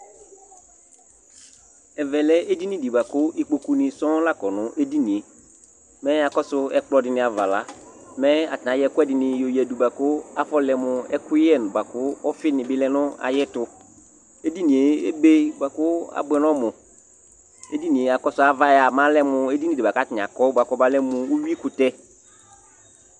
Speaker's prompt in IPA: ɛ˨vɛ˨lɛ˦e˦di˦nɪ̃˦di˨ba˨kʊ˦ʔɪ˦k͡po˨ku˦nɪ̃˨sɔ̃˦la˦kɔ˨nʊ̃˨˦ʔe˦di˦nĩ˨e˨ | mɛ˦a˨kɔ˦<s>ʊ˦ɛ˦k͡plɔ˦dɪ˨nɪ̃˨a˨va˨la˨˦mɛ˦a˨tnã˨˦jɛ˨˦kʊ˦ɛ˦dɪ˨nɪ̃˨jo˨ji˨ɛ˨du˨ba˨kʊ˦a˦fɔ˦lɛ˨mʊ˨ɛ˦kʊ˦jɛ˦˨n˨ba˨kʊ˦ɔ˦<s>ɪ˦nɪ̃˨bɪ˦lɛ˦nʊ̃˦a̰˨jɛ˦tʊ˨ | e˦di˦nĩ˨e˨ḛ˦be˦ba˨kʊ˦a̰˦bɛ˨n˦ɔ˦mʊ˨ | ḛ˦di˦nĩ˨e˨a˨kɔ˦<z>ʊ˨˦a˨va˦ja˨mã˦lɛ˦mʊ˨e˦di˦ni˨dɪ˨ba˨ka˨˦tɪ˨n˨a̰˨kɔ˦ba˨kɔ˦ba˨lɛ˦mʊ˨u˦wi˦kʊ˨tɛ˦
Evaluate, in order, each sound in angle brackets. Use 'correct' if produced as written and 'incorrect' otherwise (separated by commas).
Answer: correct, incorrect, incorrect